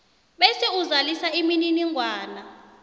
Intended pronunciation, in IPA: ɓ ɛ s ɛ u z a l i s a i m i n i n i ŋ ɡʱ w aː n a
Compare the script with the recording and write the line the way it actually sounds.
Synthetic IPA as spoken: ɓ ɛ s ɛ u z a l i s a i m i n i n i ŋ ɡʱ w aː n a